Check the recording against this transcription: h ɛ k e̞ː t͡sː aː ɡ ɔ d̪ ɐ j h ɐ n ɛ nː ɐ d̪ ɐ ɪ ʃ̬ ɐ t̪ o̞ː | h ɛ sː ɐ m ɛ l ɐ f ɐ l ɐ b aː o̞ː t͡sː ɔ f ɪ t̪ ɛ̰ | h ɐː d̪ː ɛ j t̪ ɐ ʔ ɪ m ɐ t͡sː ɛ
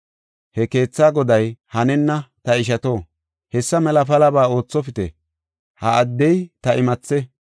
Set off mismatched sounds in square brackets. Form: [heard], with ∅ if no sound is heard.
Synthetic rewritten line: h ɛ k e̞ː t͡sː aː ɡ ɔ d̪ ɐ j h ɐ n ɛ nː ɐ [t̪] ɐ ɪ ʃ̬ ɐ t̪ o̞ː | h ɛ sː ɐ m ɛ l ɐ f ɐ l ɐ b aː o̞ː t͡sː ɔ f ɪ t̪ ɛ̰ | h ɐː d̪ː ɛ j t̪ ɐ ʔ ɪ m ɐ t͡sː ɛ